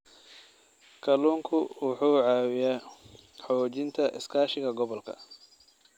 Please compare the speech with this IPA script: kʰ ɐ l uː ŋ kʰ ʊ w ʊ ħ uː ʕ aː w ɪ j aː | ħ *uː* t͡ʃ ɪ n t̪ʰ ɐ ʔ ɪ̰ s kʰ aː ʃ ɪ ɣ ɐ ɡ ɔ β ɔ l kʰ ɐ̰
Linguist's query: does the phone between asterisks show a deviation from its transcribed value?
yes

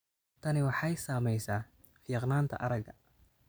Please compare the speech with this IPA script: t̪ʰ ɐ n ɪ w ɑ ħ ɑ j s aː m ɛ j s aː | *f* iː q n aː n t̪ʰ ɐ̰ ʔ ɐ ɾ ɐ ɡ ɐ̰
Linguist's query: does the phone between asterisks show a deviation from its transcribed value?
no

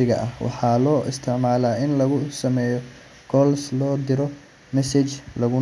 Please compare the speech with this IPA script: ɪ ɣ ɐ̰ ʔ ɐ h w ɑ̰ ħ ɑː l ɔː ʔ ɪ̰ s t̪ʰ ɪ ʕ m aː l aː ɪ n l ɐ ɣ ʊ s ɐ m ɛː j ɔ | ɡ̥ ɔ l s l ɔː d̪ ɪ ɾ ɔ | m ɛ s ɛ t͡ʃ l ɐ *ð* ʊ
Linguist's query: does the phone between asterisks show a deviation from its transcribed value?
yes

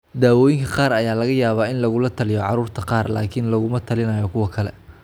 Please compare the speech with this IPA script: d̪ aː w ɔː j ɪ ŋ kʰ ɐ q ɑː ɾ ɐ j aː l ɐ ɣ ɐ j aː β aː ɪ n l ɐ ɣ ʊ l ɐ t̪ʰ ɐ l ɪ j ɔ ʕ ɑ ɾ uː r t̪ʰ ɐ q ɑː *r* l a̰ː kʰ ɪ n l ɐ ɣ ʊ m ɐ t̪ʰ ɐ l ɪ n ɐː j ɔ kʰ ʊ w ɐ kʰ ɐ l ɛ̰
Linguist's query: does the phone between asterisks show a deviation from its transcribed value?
no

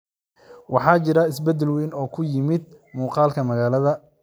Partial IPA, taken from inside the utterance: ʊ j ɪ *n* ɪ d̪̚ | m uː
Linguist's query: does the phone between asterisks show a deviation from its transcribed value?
yes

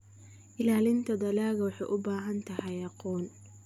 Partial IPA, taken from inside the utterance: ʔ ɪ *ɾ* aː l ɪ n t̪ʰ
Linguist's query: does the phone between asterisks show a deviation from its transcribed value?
yes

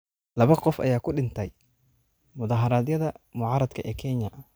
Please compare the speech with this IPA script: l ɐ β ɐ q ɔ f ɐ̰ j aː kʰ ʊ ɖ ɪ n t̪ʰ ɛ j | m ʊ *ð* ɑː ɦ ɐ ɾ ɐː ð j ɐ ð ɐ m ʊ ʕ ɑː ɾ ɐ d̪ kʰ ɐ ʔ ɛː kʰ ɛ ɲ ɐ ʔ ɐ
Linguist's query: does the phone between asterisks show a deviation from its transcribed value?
no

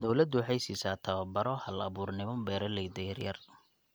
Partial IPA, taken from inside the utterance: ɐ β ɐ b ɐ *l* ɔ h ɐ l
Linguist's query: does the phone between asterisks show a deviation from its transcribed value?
yes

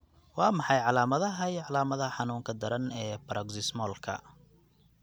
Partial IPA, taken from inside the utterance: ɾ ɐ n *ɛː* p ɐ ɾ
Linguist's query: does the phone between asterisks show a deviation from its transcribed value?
no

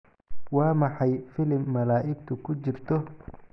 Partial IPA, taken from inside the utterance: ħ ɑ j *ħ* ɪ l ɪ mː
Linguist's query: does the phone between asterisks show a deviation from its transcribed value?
yes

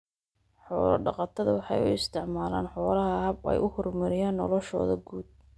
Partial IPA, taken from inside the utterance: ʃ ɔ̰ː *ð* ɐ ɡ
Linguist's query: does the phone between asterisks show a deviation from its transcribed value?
no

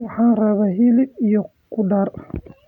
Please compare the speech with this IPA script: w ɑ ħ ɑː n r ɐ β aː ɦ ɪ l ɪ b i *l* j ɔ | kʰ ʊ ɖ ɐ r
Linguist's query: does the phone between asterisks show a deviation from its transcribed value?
yes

